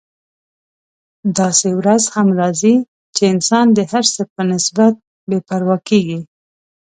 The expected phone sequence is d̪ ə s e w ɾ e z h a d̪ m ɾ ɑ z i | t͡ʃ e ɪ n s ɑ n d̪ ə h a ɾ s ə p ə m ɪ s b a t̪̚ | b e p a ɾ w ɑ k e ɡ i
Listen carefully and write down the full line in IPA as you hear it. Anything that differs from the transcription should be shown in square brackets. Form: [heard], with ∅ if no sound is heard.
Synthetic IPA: d̪ [ɑ] s e w ɾ [a] z h a [∅] m ɾ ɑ z i | t͡ʃ e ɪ n s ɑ n d̪ ə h a ɾ s ə p ə [n] ɪ s b a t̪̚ | b e p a ɾ w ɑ k e ɡ i